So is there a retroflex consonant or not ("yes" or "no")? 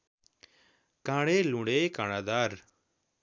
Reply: yes